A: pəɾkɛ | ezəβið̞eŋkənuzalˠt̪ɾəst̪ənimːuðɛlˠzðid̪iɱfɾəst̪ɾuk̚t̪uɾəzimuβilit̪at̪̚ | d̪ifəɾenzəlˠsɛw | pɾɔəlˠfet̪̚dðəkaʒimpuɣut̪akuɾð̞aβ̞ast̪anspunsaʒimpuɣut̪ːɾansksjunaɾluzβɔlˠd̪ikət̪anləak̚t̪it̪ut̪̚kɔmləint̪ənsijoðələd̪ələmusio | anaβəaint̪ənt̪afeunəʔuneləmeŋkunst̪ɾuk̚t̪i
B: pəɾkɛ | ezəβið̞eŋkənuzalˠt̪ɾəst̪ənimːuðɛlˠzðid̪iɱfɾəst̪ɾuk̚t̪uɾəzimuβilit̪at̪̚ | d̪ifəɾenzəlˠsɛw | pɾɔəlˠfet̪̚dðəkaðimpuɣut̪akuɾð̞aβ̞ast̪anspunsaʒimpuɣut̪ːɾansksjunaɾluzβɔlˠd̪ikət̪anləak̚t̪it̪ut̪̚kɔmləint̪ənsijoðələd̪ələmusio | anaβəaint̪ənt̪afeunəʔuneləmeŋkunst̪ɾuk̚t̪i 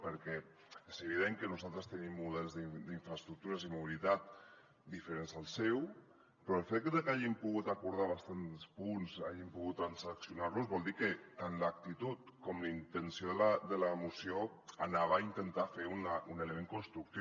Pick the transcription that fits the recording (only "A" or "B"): A